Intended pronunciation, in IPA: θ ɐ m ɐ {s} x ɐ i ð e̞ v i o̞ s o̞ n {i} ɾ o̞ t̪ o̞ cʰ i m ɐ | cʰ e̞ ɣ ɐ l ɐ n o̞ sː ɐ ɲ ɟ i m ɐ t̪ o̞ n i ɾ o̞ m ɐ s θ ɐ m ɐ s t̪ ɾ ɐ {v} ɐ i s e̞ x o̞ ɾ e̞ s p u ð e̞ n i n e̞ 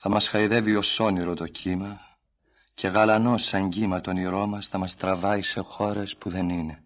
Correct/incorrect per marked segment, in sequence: correct, correct, correct

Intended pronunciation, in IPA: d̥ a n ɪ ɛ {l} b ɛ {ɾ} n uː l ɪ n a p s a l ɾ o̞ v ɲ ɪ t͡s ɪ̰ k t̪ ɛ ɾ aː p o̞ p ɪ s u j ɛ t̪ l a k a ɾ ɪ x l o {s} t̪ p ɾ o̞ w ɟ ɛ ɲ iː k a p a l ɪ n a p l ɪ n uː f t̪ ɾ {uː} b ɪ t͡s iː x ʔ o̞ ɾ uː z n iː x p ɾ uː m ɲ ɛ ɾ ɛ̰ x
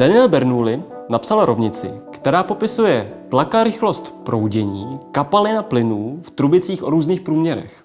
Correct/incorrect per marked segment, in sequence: correct, correct, correct, incorrect: u

